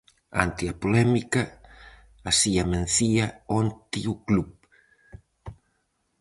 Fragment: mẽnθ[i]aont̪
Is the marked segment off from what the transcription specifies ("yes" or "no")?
no